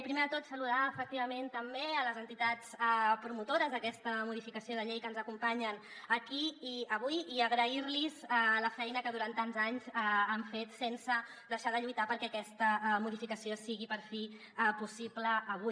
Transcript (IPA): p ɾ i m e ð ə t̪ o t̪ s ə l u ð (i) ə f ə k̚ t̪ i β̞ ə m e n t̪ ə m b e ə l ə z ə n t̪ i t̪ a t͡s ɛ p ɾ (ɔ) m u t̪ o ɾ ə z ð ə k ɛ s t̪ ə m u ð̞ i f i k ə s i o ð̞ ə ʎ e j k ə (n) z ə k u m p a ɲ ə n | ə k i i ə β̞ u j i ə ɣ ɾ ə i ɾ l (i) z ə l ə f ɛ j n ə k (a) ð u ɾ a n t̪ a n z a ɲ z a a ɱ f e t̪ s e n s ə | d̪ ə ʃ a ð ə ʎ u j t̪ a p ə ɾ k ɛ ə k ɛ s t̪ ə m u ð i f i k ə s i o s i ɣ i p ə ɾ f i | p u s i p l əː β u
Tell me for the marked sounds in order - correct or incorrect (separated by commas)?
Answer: incorrect, incorrect, correct, correct, incorrect